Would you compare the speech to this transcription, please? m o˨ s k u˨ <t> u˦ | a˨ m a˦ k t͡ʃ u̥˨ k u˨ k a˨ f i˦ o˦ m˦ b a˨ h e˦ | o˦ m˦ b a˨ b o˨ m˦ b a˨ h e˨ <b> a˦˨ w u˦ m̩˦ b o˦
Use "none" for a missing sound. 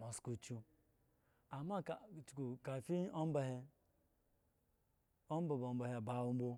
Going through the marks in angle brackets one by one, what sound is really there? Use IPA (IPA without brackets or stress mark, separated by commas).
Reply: t͡ʃ, b